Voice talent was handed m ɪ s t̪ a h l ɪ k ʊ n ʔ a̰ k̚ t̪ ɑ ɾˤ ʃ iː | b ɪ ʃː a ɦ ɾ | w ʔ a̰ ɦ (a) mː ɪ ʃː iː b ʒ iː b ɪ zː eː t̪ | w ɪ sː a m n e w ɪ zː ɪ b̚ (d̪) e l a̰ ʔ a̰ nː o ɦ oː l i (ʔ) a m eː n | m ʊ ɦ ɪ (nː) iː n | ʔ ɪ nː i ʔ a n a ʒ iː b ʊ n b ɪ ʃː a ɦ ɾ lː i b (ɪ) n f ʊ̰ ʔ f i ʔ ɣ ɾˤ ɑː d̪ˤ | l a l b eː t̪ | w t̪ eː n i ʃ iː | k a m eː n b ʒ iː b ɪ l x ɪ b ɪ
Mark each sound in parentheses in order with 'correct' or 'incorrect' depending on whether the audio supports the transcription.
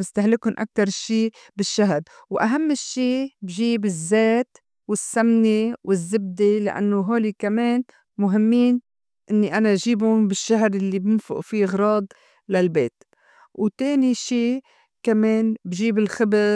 correct, correct, incorrect: k, incorrect: mː, correct

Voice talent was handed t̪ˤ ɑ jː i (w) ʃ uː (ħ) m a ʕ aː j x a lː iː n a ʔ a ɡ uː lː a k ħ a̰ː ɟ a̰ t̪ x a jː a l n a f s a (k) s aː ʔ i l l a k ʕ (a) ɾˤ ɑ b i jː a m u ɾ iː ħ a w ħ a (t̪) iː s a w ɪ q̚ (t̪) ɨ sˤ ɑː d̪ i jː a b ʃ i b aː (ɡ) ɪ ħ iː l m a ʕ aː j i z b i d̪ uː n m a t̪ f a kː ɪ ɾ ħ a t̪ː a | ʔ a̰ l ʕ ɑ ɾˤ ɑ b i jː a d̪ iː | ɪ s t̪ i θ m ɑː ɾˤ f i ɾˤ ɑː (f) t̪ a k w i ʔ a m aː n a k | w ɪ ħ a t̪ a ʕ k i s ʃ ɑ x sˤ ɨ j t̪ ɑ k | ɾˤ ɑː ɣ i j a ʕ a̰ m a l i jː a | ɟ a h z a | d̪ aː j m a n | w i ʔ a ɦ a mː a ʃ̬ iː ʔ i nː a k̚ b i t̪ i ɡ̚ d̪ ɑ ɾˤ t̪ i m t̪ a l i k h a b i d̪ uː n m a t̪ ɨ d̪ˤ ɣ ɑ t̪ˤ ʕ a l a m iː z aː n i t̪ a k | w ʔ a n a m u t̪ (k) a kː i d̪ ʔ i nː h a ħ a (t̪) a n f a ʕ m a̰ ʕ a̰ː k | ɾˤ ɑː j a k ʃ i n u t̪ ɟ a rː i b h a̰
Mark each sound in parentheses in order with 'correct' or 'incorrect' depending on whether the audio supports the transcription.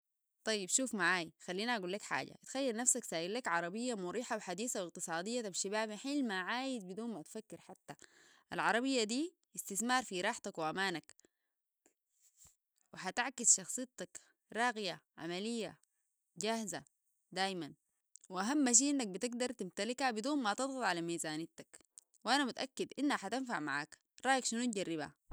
incorrect: b, incorrect: f, correct, incorrect: ɑ, incorrect: d̪, correct, incorrect: b, incorrect: ħ, incorrect: ʔ, correct

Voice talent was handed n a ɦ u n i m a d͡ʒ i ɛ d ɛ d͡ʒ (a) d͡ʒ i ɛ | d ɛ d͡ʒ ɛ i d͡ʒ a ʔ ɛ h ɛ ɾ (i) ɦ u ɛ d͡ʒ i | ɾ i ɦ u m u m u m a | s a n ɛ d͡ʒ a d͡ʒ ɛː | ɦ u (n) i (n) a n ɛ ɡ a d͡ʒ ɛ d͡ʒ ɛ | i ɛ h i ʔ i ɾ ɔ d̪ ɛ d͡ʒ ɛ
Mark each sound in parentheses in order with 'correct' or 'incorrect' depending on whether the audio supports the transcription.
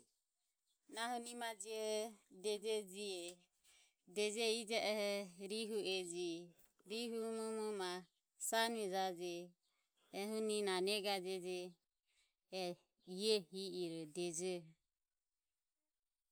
incorrect: ɛ, correct, correct, correct

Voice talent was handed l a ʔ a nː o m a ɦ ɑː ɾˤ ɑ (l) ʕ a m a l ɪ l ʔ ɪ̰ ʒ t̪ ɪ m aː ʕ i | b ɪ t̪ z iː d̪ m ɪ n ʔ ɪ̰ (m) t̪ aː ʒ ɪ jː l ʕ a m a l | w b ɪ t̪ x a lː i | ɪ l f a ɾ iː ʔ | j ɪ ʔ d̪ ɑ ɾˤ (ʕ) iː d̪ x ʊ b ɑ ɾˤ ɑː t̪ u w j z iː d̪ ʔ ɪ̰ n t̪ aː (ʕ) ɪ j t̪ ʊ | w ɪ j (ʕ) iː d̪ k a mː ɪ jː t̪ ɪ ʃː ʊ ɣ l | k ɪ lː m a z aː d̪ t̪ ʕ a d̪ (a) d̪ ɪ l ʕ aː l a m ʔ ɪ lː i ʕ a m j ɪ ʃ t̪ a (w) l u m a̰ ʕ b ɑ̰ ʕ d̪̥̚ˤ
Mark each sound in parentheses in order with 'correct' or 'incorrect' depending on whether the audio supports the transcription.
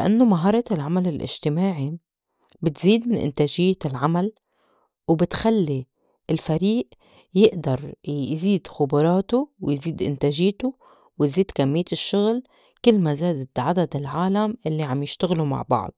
correct, incorrect: n, incorrect: z, incorrect: ʒ, incorrect: z, correct, incorrect: ɣ

